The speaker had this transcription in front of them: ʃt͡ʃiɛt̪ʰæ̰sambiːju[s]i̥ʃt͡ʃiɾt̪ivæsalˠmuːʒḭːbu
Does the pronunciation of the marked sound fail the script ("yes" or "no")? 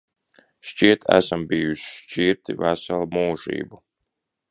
yes